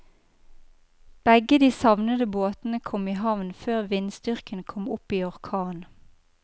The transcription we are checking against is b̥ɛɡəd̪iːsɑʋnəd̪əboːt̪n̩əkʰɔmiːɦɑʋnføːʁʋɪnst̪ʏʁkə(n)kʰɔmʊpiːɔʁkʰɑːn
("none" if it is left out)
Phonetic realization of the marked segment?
n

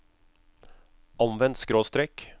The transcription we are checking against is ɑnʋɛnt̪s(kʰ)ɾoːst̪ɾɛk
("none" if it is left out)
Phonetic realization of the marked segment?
k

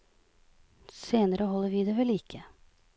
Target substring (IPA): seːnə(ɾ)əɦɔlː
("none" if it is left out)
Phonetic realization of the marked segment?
ɾ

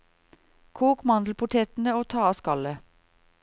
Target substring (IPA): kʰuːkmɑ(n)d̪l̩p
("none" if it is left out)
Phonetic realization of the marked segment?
n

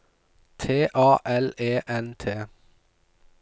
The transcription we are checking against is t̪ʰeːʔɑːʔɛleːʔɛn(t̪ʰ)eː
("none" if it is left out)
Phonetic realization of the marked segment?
t̪ʰ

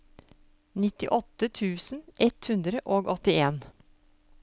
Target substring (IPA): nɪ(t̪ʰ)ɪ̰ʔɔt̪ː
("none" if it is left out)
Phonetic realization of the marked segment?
t̪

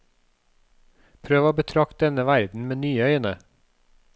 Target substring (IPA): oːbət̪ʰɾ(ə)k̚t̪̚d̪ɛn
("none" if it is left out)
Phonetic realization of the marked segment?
ɑ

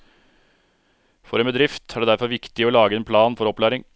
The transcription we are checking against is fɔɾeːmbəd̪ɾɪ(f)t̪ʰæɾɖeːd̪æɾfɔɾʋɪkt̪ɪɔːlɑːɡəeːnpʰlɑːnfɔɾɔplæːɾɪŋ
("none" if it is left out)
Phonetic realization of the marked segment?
f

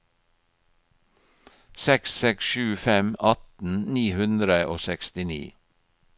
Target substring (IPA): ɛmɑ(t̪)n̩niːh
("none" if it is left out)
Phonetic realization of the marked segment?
t̪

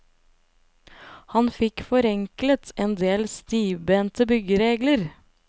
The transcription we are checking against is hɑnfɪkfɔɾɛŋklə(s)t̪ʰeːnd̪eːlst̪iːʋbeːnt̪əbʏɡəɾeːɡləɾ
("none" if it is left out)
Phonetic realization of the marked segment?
none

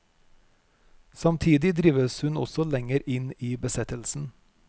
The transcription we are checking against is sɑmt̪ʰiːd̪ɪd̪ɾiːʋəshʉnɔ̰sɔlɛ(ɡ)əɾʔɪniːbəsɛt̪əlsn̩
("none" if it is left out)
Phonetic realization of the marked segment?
ŋ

